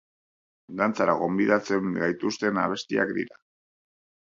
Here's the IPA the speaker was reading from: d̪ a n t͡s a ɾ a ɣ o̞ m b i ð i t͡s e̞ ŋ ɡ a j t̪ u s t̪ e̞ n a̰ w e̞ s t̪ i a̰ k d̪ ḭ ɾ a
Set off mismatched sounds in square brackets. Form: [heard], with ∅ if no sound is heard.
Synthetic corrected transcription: d̪ a n t͡s a ɾ a ɣ o̞ m b i ð [a] t͡s e̞ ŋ ɡ a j t̪ u s t̪ e̞ n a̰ [β] e̞ s t̪ i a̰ k d̪ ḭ ɾ a